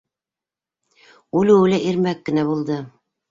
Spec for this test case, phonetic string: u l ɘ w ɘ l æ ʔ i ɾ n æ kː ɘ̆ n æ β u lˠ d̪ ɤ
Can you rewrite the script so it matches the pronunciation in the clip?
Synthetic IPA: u l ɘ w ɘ l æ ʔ i ɾ m æ kː ɘ̆ n æ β u lˠ d̪ ɤ

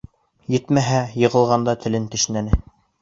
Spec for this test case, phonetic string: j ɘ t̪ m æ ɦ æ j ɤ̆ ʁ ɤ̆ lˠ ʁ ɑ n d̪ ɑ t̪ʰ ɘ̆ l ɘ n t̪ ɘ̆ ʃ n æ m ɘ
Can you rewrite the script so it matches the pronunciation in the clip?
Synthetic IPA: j ɘ t̪ m æ ɦ æ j ɤ̆ ʁ ɤ̆ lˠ ʁ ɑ n d̪ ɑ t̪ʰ ɘ̆ l ɘ n t̪ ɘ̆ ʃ n æ n ɘ

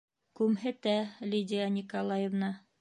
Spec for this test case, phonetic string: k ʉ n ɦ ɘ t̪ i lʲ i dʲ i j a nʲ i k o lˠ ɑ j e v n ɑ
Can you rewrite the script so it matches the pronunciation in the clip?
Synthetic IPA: k ʉ m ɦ ɘ t̪ æ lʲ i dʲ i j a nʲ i k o lˠ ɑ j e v n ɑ

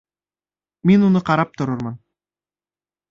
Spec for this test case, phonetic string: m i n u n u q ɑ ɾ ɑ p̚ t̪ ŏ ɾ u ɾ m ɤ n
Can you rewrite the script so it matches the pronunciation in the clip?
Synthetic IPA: m i n u n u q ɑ ɾ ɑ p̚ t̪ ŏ ɾ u ɾ m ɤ n

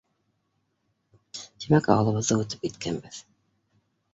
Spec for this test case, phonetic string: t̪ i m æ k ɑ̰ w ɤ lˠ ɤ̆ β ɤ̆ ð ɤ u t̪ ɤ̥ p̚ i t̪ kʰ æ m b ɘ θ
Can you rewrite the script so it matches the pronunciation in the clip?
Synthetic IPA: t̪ i m æ k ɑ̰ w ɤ lˠ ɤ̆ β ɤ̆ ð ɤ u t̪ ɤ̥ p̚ i t̪ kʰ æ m b ɘ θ

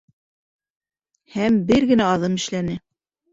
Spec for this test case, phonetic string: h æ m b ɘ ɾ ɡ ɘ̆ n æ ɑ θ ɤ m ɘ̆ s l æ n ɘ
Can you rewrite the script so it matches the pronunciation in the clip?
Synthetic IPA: h æ m b ɘ ɾ ɡ ɘ̆ n æ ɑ ð ɤ m ɘ̆ ʃ l æ n ɘ

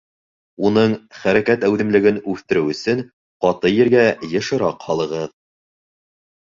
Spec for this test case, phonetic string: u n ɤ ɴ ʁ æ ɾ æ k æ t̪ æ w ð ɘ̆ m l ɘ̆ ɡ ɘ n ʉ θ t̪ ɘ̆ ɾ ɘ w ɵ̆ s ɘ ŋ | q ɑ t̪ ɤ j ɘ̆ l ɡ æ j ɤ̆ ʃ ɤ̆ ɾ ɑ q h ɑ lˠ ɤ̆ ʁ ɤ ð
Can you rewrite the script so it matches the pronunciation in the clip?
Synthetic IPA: u n ɤ ɴ χ æ ɾ æ k æ t̪ æ w ð ɘ̆ m l ɘ̆ ɡ ɘ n ʉ θ t̪ ɘ̆ ɾ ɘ w ɵ̆ s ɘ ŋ | q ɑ t̪ ɤ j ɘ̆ ɾ ɡ æ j ɤ̆ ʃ ɤ̆ ɾ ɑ q h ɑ lˠ ɤ̆ ʁ ɤ ð

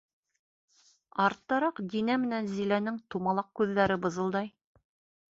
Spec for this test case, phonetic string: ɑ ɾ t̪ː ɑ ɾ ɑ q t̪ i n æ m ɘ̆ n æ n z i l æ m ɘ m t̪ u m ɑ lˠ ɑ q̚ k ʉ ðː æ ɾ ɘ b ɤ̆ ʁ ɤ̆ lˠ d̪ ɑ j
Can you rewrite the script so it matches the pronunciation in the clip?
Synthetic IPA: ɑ ɾ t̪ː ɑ ɾ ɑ q d̪ i n æ m ɘ̆ n æ n z i l æ n ɘ ŋ t̪ u m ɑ lˠ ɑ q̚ k ʉ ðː æ ɾ ɘ b ɤ̆ z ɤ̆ lˠ d̪ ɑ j

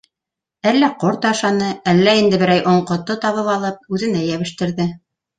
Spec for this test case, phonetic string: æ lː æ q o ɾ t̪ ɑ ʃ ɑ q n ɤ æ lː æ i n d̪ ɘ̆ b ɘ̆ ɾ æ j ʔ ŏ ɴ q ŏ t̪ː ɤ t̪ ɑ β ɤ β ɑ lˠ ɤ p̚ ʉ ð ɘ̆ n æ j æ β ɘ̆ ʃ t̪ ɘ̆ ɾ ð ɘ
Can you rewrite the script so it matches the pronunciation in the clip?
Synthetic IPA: æ lː æ q o ɾ t̪ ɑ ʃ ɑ n ɤ æ lː æ i n d̪ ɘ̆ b ɘ̆ ɾ æ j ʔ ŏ ɴ q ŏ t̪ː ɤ t̪ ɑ β ɤ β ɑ lˠ ɤ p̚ ʉ ð ɘ̆ n æ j æ β ɘ̆ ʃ t̪ ɘ̆ ɾ ð ɘ

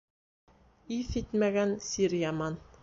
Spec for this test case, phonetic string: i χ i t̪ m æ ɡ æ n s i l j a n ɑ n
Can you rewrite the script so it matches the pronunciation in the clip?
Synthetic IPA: i θ i t̪ m æ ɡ æ n s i ɾ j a m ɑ n

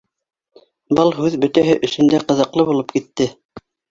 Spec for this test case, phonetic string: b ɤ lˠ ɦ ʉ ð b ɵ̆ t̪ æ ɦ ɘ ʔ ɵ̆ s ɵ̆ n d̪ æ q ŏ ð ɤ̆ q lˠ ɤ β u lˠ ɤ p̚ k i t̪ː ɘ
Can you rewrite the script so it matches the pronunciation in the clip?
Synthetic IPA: b ɤ lˠ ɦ ʉ ð b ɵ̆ t̪ æ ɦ ɘ ʔ ɵ̆ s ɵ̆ n d̪ æ q ɤ̆ ð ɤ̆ q lˠ ɤ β u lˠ ɤ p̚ k i t̪ː ɘ

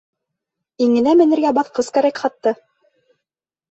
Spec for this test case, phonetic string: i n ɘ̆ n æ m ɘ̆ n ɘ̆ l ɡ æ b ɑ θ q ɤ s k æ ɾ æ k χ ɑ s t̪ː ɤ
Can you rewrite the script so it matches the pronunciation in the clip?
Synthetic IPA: i ŋ ɘ̆ n æ m ɘ̆ n ɘ̆ ɾ ɡ æ b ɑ θ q ɤ s k æ ɾ æ k χ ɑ t̪ː ɤ

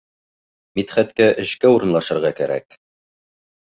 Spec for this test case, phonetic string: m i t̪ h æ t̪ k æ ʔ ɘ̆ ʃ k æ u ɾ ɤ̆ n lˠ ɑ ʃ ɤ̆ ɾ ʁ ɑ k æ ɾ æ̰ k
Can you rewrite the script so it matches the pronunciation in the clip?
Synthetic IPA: m i t̪ χ æ t̪ k æ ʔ ɘ̆ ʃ k æ u ɾ ɤ̆ n lˠ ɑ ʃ ɤ̆ ɾ ʁ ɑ k æ ɾ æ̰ k

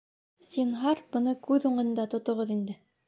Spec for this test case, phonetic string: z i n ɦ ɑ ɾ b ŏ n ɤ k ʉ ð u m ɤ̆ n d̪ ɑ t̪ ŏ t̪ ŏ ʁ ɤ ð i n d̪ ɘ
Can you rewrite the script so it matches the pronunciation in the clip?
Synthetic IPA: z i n ɦ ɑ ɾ b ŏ n ɤ k ʉ ð u ɴ ɤ̆ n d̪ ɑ t̪ ŏ t̪ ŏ ʁ ɤ ð i n d̪ ɘ

